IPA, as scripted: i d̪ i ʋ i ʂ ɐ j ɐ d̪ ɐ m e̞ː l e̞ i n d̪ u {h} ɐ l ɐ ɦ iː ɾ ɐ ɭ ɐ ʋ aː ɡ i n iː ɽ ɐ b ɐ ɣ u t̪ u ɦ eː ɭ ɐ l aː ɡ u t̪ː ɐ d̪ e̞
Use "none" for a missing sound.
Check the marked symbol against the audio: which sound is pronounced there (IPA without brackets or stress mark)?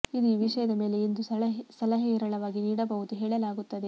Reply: s